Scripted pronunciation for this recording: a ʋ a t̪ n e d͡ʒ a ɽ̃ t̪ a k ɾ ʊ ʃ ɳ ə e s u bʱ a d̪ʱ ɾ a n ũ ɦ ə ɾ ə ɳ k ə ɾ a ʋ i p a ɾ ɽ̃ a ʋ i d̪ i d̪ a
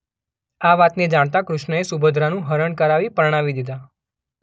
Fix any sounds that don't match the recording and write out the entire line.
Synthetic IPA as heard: a ʋ a t̪ n e d͡ʒ a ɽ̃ t̪ a k ɾ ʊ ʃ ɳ ə e s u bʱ ə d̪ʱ ɾ a n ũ ɦ ə ɾ ə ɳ k ə ɾ a ʋ i p ə ɾ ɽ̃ a ʋ i d̪ i d̪ a